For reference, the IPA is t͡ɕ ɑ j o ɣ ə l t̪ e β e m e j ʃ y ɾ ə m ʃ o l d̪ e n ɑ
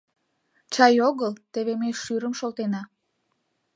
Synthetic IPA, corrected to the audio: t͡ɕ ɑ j o ɣ ə l t̪ e β e m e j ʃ y ɾ ə m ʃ o l t̪ e n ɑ